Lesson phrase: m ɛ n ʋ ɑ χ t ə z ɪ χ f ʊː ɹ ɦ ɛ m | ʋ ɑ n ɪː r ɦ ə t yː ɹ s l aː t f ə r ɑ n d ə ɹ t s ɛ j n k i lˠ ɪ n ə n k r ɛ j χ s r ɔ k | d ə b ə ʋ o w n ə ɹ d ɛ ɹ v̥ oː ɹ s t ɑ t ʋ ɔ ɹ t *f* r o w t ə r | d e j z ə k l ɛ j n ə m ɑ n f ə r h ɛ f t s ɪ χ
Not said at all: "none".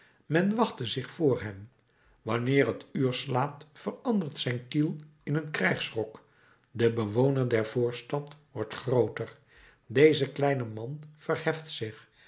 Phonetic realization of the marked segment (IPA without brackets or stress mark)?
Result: χ